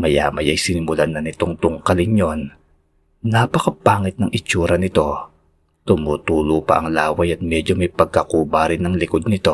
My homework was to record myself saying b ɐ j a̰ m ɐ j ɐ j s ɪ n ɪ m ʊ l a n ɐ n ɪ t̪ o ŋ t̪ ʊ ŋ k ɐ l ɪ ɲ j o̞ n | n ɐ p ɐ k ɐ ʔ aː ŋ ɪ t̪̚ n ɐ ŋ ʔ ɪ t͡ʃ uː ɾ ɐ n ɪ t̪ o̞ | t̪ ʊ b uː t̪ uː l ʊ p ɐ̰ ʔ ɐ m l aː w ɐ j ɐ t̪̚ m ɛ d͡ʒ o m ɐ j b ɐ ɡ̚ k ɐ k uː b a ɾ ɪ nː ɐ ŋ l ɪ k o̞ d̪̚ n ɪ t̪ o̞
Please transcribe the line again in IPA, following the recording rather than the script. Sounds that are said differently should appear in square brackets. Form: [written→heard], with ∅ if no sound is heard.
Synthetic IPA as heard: [b→m] ɐ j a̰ m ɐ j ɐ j s ɪ n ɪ m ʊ l a n ɐ n ɪ t̪ o ŋ t̪ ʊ ŋ k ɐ l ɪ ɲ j o̞ n | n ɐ p ɐ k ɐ [ʔ→p] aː ŋ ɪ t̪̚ n ɐ ŋ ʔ ɪ t͡ʃ uː ɾ ɐ n ɪ t̪ o̞ | t̪ ʊ [b→m] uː t̪ uː l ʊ p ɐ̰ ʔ ɐ [m→ŋ] l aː w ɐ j ɐ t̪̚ m ɛ d͡ʒ o m ɐ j [b→p] ɐ ɡ̚ k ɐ k uː b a ɾ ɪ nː ɐ ŋ l ɪ k o̞ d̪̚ n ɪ t̪ o̞